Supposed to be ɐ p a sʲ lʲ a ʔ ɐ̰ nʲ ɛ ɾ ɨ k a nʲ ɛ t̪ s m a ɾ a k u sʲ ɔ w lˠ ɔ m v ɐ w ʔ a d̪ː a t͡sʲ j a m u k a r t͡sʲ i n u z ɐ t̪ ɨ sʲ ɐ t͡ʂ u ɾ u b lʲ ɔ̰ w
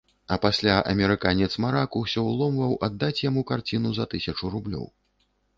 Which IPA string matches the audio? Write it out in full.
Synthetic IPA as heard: ɐ p a sʲ lʲ a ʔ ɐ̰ mʲ ɛ ɾ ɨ k a nʲ ɛ t̪ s m a ɾ a k u sʲ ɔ w lˠ ɔ m v ɐ w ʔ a d̪ː a t͡sʲ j a m u k a r t͡sʲ i n u z ɐ t̪ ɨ sʲ ɐ t͡ʂ u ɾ u b lʲ ɔ̰ w